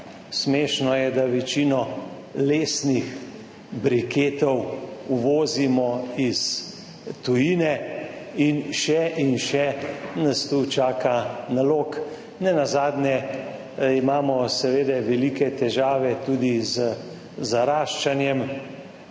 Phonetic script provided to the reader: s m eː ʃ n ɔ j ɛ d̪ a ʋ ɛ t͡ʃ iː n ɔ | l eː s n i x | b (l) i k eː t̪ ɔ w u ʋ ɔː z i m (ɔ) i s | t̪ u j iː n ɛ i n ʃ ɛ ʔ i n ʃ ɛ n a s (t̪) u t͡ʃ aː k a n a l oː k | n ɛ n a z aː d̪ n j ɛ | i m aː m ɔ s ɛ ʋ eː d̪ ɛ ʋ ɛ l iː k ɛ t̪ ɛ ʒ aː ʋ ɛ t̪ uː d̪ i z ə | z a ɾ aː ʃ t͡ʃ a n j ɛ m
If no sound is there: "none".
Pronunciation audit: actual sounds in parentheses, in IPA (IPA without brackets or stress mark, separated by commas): ɾ, ɔ, t̪